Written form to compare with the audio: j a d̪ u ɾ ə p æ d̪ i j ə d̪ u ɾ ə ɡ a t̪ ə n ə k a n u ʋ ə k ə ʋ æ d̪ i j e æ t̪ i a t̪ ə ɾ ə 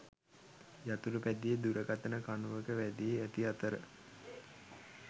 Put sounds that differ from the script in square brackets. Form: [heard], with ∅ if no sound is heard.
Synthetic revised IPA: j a [t̪] u ɾ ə p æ d̪ i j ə d̪ u ɾ ə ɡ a t̪ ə n ə k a n u ʋ ə k ə ʋ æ d̪ i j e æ t̪ i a t̪ ə ɾ ə